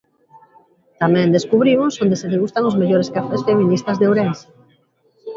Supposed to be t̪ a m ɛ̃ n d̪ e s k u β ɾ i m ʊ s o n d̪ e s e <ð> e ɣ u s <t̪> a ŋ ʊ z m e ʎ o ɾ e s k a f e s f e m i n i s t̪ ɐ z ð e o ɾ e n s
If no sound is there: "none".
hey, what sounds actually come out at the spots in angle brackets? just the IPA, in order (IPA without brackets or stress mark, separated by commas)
ð, t̪